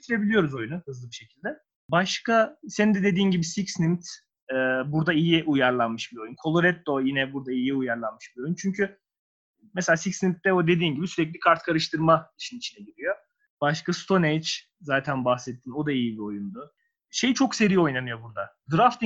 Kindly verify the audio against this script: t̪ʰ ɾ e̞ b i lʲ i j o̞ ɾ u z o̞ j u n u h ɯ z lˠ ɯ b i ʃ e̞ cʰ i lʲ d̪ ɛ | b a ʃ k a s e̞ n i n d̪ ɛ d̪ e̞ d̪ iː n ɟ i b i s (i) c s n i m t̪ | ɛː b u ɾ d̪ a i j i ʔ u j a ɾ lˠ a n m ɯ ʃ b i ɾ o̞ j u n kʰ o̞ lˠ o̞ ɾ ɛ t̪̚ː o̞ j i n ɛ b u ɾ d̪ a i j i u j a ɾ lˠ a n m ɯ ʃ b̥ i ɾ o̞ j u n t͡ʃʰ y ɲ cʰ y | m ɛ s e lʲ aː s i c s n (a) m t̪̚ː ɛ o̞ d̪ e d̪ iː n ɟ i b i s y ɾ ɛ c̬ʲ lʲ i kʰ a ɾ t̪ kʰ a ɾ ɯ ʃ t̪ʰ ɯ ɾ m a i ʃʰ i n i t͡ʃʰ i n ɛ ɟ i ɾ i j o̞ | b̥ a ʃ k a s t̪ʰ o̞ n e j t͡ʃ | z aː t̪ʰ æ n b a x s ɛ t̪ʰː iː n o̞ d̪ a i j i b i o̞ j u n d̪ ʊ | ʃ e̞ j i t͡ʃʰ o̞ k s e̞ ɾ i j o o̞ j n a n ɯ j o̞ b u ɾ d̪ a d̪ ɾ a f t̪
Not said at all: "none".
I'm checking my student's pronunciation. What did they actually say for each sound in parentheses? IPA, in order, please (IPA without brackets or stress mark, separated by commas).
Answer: i, i